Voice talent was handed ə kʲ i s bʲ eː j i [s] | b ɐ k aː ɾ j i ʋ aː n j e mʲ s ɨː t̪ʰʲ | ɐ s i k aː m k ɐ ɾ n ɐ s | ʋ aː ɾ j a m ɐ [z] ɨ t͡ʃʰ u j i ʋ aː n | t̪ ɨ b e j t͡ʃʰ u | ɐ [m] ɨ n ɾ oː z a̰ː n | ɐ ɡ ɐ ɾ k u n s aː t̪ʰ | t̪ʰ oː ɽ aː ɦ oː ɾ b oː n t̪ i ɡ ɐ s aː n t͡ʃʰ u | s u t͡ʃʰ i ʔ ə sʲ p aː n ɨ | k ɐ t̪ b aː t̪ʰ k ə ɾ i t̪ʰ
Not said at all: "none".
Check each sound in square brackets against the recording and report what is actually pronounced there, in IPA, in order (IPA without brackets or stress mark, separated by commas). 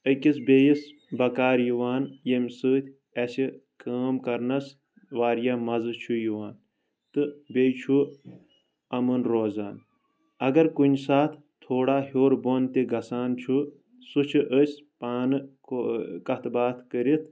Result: s, z, m